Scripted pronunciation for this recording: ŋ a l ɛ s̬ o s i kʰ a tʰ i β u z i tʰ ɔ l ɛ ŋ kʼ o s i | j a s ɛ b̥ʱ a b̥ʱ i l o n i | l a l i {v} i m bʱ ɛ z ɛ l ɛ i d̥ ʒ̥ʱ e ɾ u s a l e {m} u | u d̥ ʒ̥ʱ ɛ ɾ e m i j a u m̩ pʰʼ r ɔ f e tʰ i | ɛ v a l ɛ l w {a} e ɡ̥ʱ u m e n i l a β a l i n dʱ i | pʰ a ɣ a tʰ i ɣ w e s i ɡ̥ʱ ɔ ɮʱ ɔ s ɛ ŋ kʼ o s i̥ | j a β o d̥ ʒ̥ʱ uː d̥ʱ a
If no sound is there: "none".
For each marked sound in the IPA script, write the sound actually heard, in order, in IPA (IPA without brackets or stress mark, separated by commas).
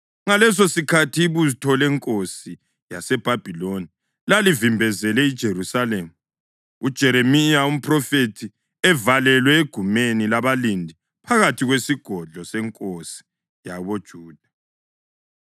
v, m, ɛ